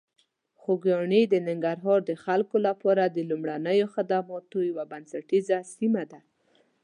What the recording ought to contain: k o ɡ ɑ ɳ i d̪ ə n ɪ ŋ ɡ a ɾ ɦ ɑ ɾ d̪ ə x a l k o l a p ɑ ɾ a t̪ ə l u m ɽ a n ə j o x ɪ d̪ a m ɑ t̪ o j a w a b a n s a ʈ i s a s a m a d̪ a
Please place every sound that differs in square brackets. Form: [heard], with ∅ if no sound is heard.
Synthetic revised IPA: [x] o ɡ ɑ ɳ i d̪ ə n ɪ ŋ ɡ a ɾ ɦ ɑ ɾ d̪ ə x a l k o l a p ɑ ɾ a [d̪] ə l u m ɽ a n ə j o x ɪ d̪ a m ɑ t̪ o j a w a b a n s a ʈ i [z] a s [i] m a d̪ a

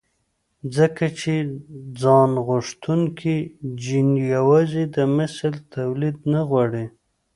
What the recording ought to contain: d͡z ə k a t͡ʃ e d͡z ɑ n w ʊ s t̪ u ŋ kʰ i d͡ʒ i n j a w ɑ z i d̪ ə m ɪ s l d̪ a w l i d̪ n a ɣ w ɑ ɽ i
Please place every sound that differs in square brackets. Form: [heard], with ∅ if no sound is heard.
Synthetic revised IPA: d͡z ə k a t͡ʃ e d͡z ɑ n [ɣ] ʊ [ʂ] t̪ u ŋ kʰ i d͡ʒ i n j a w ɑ z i d̪ ə m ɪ s l [t̪] a w l i d̪ n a ɣ w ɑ ɽ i

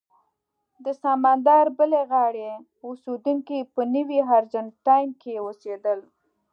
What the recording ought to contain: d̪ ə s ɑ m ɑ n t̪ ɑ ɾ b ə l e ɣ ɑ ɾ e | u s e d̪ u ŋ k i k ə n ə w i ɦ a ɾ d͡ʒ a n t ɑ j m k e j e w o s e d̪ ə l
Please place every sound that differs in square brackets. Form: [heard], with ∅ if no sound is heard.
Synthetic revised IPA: d̪ ə s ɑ m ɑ n [d̪] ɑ ɾ b ə l e ɣ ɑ [ɽ] e | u s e d̪ u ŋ k i [p] ə n ə w i ɦ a ɾ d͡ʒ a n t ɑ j m k e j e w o s e d̪ ə l

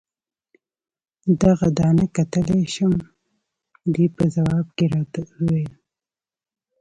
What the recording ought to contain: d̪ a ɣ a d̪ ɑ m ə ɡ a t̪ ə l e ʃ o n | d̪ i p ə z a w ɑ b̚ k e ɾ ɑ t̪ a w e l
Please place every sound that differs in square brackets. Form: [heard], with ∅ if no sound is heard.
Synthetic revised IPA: d̪ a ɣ a d̪ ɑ [n] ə [k] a t̪ ə l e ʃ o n | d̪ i p ə z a w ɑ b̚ k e ɾ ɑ t̪ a w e l

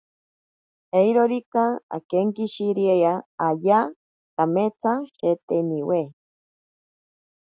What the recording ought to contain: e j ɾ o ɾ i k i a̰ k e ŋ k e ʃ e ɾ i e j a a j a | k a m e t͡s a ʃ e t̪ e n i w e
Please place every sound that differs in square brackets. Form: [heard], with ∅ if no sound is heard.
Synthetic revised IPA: e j ɾ o ɾ i k [a] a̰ k e ŋ k [i] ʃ [i] ɾ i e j a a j a | k a m e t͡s a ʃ e t̪ e n i w e

